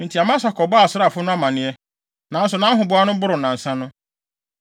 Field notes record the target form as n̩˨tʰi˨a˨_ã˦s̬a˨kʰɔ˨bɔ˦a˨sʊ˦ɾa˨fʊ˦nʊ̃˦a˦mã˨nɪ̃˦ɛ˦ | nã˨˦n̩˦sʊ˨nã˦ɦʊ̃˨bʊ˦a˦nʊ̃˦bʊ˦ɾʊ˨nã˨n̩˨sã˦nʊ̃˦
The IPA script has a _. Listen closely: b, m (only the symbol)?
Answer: m